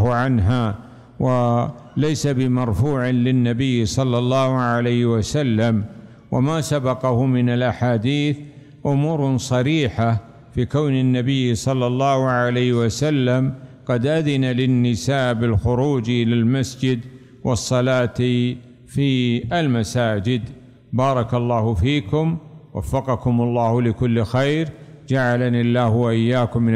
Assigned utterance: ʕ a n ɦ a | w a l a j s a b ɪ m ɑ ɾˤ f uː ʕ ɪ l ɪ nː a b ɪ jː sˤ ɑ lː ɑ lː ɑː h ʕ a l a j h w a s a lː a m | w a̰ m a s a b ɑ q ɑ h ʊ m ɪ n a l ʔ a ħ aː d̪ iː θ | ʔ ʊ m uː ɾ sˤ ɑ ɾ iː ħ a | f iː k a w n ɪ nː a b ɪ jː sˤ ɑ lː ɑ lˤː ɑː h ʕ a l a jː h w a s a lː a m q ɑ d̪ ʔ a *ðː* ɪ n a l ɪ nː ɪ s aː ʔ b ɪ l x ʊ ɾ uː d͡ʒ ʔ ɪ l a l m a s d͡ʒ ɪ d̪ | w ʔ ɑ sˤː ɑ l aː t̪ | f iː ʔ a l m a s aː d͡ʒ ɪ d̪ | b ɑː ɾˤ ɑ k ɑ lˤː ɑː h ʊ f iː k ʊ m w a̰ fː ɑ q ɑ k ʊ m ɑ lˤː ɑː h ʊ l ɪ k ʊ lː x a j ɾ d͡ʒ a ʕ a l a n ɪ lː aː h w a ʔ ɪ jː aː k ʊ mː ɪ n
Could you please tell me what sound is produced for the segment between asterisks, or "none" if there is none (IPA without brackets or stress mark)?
ð